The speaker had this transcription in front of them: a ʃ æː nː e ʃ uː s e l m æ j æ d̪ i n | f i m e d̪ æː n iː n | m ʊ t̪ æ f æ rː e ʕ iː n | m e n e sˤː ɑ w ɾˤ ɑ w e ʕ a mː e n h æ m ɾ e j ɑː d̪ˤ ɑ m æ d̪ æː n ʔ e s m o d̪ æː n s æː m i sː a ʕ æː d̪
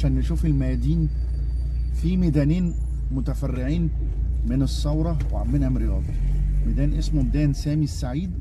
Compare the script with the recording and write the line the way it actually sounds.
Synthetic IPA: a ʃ æː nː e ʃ uː f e l m æ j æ d̪ iː n | f i m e d̪ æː n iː n | m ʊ t̪ æ f æ rː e ʕ iː n | m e n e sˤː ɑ w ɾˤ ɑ w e ʕ a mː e n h æ m ɾ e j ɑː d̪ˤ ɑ m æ d̪ æː n ʔ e s m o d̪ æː n s æː m i sː a ʕ iː d̪